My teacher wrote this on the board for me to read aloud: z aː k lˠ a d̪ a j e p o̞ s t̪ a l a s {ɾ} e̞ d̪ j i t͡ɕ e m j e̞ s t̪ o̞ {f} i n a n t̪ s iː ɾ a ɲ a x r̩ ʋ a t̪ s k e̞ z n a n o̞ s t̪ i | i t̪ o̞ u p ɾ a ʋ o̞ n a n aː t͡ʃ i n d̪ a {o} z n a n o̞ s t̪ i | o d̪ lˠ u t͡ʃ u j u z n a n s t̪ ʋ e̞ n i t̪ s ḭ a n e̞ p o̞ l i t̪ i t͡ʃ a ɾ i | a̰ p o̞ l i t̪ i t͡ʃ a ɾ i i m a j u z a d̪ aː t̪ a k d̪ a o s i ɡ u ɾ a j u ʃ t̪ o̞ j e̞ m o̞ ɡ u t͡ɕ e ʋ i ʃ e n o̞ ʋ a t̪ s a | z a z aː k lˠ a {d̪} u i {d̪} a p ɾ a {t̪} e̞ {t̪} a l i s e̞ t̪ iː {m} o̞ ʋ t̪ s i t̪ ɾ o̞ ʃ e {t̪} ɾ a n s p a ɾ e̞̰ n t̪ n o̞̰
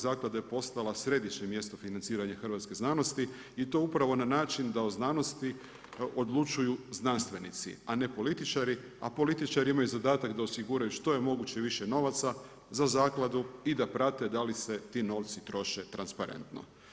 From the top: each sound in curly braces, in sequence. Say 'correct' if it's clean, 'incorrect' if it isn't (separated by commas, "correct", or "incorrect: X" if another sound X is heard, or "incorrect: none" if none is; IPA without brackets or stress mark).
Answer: correct, correct, correct, correct, correct, correct, incorrect: d̪, incorrect: n, correct